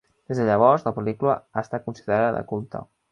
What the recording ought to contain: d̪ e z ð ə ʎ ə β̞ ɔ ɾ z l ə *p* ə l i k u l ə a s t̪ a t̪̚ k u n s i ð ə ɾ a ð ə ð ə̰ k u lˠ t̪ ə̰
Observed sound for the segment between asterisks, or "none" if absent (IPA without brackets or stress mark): p